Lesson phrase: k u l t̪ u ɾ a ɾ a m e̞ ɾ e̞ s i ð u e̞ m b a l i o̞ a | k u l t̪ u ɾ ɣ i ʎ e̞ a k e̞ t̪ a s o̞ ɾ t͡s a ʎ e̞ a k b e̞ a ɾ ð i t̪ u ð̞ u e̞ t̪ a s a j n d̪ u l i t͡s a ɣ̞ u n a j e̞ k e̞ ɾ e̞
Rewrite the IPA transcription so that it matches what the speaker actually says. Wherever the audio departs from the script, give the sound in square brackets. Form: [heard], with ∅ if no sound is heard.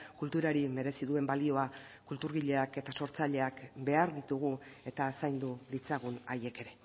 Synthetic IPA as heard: k u l t̪ u ɾ a ɾ [i] m e̞ ɾ e̞ s i ð u e̞ m b a l i o̞ a | k u l t̪ u ɾ ɣ i ʎ e̞ a k e̞ t̪ a s o̞ ɾ t͡s a ʎ e̞ a k b e̞ a ɾ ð i t̪ u [ɣ̞] u e̞ t̪ a s a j n d̪ u l i t͡s a ɣ̞ u n a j e̞ k e̞ ɾ e̞